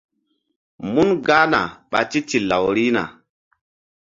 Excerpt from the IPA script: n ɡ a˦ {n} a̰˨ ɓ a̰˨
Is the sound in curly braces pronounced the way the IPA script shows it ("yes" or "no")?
yes